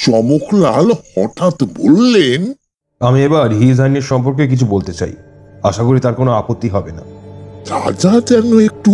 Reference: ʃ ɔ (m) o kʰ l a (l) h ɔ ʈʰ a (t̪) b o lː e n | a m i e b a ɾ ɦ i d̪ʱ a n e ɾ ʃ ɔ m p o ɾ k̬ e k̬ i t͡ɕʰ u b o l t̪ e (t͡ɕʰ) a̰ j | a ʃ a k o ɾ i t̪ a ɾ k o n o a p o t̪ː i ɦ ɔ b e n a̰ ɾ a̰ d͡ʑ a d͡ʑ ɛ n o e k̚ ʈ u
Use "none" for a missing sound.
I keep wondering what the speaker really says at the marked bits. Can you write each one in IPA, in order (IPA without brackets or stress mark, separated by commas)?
m, l, t̪, t͡ɕ